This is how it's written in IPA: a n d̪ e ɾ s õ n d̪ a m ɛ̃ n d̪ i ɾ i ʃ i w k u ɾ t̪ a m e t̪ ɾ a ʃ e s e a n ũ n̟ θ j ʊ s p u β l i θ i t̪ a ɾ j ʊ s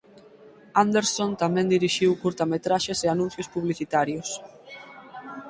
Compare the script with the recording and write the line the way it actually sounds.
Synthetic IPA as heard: a n d̪ e ɾ s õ n t̪ a m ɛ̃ n d̪ i ɾ i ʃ i w k u ɾ t̪ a m e t̪ ɾ a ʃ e s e a n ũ n̟ θ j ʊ s p u β l i θ i t̪ a ɾ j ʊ s